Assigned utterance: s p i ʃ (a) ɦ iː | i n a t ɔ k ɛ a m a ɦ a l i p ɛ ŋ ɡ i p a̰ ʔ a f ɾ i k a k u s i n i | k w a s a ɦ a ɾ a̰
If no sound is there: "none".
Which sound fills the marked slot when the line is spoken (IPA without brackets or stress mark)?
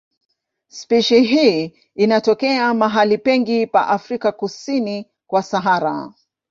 i